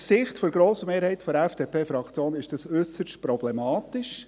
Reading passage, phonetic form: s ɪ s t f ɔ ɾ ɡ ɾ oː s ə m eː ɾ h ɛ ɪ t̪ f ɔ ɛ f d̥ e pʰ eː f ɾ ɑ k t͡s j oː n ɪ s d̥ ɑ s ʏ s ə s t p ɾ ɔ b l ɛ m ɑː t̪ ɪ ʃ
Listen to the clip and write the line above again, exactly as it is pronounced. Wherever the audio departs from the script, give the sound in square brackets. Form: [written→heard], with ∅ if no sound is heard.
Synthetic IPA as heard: s ɪ [s→χ] t f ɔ ɾ ɡ ɾ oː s ə m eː ɾ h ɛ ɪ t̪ f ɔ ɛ f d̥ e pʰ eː f ɾ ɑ k t͡s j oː n ɪ [s→ʃ] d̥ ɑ s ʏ s ə [s→ʃ] t p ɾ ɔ b l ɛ m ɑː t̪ ɪ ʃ

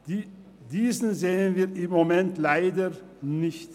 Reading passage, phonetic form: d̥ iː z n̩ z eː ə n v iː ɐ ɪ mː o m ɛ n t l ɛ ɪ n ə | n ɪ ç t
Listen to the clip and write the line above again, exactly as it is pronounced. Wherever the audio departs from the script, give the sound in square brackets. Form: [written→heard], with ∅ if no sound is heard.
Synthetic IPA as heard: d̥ iː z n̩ z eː ə n v iː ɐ ɪ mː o m ɛ n t l [ɛ→a] ɪ [n→d] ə | n ɪ ç t

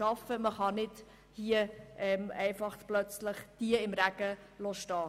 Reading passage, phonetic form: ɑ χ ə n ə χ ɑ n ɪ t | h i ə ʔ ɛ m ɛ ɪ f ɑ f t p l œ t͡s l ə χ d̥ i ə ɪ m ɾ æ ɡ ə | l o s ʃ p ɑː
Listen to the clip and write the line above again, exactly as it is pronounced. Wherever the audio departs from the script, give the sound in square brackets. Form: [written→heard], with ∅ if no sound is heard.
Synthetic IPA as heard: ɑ [χ→f] ə [n→m] ə χ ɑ n ɪ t | h i ə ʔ ɛ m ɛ ɪ f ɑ [f→χ] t p l œ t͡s l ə χ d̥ i ə ɪ m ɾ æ ɡ ə | l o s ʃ [p→t] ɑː

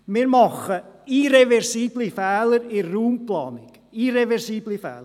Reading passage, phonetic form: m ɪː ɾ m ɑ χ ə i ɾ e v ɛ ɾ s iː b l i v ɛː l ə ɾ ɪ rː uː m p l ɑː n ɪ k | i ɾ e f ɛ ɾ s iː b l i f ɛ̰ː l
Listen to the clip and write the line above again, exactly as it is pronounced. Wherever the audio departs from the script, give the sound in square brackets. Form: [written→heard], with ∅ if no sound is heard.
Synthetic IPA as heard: m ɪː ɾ m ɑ χ ə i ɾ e v ɛ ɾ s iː b l i [v→f] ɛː l ə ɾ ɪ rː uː m p l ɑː n ɪ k | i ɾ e [f→v] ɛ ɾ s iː b l i f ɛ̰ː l

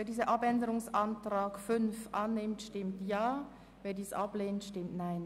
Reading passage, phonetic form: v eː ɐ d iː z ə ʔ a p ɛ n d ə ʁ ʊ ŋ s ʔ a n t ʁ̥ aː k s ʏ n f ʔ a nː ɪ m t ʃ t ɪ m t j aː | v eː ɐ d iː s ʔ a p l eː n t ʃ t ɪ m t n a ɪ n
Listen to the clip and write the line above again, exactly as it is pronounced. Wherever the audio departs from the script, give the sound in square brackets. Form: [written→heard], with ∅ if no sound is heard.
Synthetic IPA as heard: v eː ɐ d iː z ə ʔ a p ɛ n d ə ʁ ʊ ŋ s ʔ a n t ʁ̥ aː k [s→f] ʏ n f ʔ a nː ɪ m t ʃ t ɪ m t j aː | v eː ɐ d iː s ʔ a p l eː n t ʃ t ɪ m t n a ɪ n

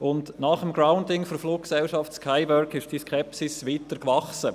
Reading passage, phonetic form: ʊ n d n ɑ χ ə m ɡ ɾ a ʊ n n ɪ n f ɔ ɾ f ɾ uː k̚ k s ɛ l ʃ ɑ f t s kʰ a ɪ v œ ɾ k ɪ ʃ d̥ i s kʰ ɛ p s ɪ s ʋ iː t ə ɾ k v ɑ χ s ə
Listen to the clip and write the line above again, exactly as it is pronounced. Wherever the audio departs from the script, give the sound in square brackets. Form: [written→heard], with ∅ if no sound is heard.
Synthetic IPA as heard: ʊ n d n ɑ χ ə m ɡ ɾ a ʊ n [n→d] ɪ [n→ŋ] f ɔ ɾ f [ɾ→l] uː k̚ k s ɛ l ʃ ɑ f t s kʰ a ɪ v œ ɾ k ɪ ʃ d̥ i s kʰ ɛ p s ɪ s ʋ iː t ə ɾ k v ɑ χ s ə

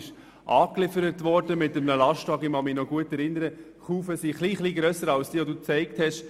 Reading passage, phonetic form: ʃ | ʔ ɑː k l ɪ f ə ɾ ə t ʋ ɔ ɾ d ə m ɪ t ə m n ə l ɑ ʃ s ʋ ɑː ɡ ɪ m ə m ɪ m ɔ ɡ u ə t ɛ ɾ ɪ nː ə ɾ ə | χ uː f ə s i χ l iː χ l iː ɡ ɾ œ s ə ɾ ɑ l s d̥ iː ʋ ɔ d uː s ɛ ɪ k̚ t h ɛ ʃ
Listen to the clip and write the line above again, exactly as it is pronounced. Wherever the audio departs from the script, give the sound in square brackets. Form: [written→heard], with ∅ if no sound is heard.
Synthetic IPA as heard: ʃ | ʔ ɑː k l ɪ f ə ɾ ə t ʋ ɔ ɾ d ə m ɪ t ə m n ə l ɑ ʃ [s→t] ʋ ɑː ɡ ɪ m [ə→ɑ] m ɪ [m→n] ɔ ɡ u ə t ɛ ɾ ɪ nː ə ɾ ə | χ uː f ə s i χ l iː χ l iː ɡ ɾ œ s ə ɾ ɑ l s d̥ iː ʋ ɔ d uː [s→t͡s] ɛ ɪ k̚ t h ɛ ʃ

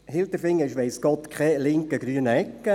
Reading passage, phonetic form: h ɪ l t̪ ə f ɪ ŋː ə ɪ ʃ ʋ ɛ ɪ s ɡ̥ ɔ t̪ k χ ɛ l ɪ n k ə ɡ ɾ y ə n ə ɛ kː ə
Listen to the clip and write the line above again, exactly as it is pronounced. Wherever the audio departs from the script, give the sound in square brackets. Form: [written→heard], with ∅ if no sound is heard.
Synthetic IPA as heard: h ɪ l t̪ ə f ɪ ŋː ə ɪ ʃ ʋ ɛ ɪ s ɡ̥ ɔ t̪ k χ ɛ l ɪ [n→ŋ] k ə ɡ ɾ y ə n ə ɛ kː ə

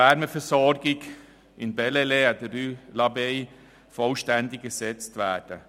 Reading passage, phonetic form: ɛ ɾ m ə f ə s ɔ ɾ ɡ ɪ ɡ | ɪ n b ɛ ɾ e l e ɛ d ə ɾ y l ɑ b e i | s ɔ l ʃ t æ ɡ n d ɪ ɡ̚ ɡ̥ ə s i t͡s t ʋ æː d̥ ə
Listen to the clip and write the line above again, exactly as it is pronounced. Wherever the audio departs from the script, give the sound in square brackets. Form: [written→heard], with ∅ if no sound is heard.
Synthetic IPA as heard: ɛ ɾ m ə f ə s ɔ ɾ ɡ ɪ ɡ | ɪ n b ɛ [ɾ→l] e l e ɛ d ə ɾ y l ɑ b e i | [s→f] ɔ l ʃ t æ [ɡ→∅] n d ɪ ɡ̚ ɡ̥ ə s [i→ɛ] t͡s t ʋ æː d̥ ə

